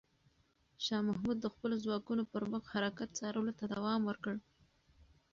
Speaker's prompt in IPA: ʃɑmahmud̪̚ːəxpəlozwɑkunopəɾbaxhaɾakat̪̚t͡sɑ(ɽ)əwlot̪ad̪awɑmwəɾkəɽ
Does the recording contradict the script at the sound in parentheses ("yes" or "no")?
yes